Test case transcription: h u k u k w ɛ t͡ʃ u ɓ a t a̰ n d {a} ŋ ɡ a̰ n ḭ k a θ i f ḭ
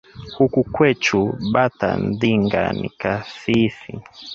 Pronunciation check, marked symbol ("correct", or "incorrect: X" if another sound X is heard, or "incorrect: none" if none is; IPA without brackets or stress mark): incorrect: i